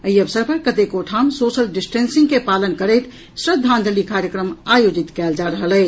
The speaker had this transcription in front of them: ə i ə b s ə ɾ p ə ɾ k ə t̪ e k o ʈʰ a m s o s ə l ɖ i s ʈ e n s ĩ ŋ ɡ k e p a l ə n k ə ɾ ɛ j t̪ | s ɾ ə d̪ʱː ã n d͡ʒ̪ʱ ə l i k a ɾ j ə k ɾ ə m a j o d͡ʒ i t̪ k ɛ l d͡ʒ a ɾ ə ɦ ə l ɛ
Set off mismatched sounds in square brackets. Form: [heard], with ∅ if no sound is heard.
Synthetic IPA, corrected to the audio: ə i ə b s ə ɾ p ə ɾ k ə t̪ e k o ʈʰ a m s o s ə l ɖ i s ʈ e n s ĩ ŋ ɡ k e p a l ə n k ə ɾ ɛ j t̪ | s ɾ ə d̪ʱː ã n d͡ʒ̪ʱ ə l i k a ɾ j ə k ɾ ə m a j o d͡ʒ i t̪ k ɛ l d͡ʒ a ɾ ə ɦ ə l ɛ